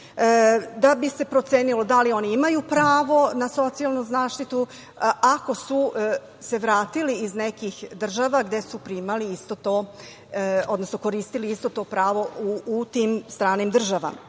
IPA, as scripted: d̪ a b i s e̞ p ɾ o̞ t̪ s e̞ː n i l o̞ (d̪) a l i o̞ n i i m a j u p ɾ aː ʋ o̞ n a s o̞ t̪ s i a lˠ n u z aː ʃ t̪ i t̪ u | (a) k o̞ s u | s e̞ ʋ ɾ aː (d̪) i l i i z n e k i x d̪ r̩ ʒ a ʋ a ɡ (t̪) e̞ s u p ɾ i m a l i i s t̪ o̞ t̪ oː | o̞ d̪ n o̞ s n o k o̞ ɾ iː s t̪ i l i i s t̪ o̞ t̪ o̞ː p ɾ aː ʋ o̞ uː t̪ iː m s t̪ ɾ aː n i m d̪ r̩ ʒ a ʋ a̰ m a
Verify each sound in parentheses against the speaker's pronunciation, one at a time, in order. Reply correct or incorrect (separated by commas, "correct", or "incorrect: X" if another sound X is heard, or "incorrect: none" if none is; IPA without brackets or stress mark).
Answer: correct, correct, incorrect: t̪, incorrect: d̪